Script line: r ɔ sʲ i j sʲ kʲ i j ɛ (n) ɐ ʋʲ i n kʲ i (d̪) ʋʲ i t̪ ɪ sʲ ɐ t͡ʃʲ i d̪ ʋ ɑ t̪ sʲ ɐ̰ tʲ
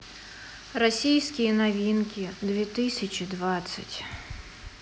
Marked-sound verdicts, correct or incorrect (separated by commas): correct, correct